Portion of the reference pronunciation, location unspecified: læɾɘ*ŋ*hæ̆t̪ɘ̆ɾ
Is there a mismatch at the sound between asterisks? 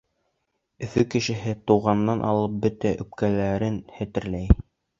yes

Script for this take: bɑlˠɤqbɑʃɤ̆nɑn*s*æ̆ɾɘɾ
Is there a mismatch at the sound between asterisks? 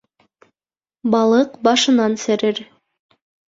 no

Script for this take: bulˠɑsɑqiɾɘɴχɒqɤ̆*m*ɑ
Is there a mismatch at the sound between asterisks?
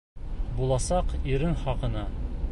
yes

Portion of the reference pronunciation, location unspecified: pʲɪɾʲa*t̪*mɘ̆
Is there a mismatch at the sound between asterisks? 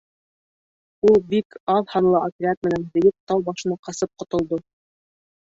no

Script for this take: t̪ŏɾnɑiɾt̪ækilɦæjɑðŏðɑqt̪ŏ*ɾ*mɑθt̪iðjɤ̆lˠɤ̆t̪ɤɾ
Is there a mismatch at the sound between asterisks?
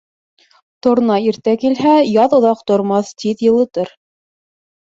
no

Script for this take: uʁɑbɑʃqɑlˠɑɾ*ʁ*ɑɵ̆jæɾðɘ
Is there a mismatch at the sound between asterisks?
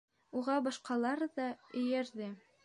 yes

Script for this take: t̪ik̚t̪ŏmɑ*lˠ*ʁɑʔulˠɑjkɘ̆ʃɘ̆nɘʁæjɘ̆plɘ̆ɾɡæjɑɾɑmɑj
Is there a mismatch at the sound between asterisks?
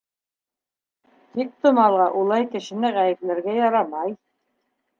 no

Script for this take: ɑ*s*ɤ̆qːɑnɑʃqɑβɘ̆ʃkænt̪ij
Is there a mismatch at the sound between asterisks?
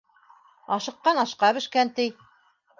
yes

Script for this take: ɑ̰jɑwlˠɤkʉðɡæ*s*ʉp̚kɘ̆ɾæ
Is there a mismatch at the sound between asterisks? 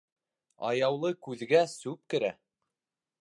no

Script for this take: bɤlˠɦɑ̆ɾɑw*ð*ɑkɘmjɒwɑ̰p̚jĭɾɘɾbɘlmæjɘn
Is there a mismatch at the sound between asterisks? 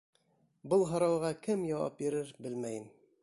yes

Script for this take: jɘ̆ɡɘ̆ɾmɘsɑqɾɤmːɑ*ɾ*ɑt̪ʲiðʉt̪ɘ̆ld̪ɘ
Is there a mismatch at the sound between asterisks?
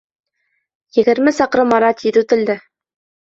no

